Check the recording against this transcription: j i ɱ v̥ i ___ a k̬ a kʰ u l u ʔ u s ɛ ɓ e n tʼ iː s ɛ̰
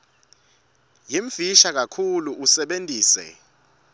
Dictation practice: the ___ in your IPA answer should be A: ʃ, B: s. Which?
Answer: A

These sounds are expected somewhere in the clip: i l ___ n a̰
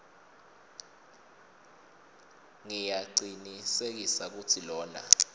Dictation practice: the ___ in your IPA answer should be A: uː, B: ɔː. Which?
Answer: B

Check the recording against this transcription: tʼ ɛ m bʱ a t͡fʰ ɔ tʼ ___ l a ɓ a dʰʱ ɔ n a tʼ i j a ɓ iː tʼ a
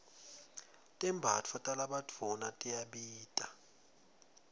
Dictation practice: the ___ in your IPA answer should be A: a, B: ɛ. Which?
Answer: A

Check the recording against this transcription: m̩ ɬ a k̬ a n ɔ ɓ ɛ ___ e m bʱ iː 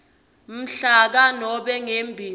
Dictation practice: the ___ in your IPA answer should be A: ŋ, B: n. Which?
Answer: A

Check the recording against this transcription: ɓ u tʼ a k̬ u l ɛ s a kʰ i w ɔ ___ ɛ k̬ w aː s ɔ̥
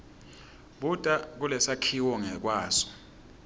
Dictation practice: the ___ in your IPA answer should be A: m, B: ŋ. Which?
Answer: B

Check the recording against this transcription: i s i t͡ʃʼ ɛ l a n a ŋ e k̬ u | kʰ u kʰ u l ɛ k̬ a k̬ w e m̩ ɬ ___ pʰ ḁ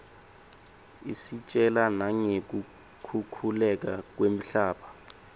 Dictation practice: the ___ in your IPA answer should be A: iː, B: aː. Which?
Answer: B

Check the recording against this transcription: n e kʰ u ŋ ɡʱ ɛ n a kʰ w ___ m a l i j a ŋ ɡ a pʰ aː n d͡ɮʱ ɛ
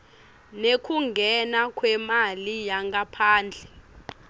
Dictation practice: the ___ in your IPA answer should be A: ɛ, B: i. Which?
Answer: A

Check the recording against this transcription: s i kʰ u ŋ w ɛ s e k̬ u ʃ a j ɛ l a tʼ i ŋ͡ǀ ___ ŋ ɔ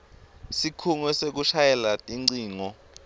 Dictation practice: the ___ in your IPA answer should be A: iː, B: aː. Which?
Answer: A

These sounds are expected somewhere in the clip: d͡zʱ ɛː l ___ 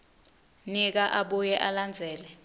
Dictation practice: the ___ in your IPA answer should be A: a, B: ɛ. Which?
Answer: B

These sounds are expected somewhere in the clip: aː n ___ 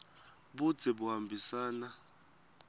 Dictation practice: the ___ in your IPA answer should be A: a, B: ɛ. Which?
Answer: A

